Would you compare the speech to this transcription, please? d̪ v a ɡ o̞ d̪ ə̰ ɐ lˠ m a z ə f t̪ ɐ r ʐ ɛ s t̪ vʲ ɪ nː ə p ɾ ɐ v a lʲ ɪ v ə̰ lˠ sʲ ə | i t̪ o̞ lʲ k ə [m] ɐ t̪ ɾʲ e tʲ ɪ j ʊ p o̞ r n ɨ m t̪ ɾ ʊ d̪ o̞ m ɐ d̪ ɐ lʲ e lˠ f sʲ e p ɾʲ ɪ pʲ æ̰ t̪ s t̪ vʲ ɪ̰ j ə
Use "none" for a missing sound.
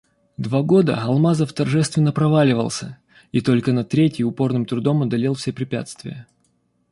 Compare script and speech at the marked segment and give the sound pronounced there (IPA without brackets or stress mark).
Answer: n